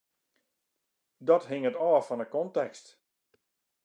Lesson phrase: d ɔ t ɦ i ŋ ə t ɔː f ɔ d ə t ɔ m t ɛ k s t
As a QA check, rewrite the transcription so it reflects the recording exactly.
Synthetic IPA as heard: d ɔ t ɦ ɪ ŋ ə t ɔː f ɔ n ə k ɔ n t ɛ k s t